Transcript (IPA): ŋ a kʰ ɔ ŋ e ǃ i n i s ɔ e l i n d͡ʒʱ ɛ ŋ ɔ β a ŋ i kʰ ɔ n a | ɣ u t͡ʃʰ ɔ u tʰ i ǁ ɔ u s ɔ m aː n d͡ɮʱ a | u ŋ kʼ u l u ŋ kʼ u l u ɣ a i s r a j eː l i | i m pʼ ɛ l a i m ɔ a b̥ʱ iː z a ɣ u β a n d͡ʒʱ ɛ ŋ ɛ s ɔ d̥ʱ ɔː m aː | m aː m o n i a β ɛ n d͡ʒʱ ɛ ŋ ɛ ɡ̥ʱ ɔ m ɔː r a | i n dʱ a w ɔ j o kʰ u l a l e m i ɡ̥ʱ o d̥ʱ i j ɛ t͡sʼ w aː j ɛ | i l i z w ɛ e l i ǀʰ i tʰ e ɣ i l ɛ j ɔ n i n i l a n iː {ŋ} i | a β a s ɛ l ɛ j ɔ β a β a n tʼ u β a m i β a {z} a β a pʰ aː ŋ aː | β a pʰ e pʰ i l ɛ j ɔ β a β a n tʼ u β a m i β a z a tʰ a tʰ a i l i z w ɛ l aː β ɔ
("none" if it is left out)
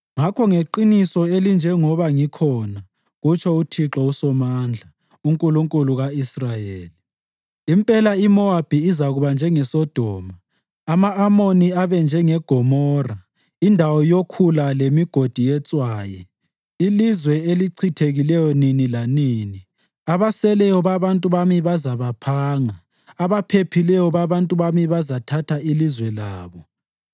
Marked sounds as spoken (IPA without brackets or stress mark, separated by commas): n, z